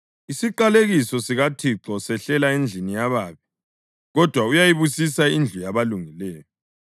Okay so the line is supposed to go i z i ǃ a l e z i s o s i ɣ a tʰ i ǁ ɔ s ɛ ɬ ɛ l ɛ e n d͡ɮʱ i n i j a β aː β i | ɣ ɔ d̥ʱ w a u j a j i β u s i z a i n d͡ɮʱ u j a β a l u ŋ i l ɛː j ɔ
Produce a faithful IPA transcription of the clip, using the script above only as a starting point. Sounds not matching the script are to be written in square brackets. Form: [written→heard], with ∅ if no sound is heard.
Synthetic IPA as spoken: i [z→s] i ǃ a l e [z→ɣ] i s [o→ɔ] s i ɣ a tʰ i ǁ ɔ s ɛ ɬ ɛ l [ɛ→a] e n d͡ɮʱ i n i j a β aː β i | ɣ ɔ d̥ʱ w a u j a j i β u s i [z→s] a i n d͡ɮʱ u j a β a l u ŋ i l ɛː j ɔ